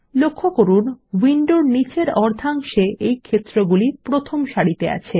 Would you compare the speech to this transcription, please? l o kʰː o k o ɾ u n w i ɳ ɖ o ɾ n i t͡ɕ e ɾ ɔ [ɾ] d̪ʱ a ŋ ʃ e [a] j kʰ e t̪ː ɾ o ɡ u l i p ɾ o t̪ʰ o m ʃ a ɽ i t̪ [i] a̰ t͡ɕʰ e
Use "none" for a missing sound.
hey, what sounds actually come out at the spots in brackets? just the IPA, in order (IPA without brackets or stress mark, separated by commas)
ɾ, e, e